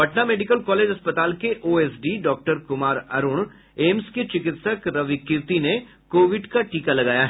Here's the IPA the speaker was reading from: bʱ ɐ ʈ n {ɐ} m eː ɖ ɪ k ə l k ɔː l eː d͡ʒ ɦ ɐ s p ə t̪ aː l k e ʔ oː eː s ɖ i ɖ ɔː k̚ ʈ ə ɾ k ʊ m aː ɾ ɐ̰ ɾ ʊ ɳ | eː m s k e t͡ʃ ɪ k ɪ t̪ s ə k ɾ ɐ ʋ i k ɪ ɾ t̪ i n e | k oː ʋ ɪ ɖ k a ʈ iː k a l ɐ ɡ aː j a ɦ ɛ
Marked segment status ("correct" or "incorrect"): incorrect